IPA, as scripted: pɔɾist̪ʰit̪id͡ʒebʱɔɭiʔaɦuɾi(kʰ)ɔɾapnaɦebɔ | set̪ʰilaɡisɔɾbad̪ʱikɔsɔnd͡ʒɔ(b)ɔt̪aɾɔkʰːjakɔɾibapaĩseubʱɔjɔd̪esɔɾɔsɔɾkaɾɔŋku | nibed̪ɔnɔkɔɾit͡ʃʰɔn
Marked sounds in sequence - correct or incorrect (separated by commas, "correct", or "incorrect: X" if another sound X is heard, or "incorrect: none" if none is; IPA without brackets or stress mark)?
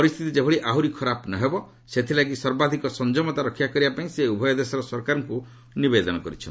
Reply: correct, incorrect: m